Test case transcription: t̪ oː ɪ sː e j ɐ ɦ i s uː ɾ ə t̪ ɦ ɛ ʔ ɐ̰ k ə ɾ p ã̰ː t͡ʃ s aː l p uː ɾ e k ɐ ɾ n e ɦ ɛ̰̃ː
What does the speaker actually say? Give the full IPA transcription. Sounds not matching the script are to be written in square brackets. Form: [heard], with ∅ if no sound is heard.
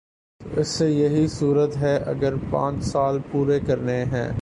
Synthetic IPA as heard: t̪ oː ɪ sː e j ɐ ɦ i s uː ɾ ə t̪ ɦ ɛ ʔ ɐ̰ [ɡ] ə ɾ p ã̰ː t͡ʃ s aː l p uː ɾ e k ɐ ɾ n e ɦ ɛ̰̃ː